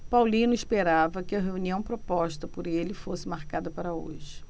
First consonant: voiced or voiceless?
voiceless